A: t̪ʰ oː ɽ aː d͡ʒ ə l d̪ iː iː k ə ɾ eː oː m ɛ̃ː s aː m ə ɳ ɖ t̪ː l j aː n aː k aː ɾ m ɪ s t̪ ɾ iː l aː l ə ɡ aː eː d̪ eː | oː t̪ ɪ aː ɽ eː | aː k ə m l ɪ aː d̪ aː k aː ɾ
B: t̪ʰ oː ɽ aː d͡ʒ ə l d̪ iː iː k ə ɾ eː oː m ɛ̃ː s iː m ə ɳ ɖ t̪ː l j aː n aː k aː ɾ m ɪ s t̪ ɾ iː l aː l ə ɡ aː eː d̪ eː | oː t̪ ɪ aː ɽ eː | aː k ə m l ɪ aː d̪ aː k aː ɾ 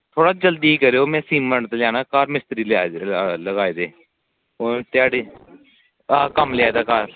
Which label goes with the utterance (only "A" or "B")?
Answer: B